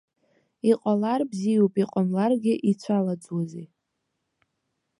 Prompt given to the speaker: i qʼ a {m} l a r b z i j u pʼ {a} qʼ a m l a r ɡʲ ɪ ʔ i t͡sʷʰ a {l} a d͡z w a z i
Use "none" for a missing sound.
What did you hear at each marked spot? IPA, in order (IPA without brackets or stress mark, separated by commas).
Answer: none, i, l